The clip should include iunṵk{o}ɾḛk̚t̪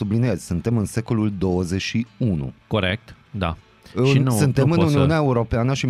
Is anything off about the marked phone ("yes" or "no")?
no